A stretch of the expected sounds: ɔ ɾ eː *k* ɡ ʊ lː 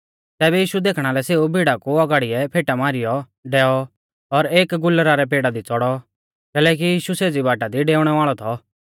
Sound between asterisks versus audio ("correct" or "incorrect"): correct